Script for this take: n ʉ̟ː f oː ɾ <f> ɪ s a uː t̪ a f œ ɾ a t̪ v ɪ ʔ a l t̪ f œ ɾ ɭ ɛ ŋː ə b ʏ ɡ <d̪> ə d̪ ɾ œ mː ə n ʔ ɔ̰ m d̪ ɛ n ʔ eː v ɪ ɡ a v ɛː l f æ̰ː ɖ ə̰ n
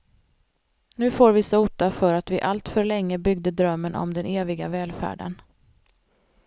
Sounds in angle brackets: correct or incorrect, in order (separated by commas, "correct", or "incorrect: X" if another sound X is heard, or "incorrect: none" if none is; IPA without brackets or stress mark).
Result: incorrect: v, correct